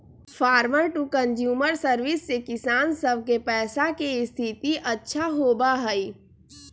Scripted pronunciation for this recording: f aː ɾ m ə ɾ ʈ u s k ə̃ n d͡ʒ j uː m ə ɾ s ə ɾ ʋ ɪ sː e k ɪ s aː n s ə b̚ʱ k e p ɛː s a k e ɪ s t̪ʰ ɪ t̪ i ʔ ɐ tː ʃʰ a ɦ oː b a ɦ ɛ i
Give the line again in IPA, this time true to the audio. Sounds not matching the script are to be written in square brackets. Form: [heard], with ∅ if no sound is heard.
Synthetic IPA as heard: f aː ɾ m ə ɾ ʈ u [∅] k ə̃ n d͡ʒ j uː m ə ɾ s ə ɾ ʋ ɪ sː e k ɪ s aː n s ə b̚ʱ k e p ɛː s a k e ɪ s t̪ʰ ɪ t̪ i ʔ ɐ tː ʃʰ a ɦ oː b a ɦ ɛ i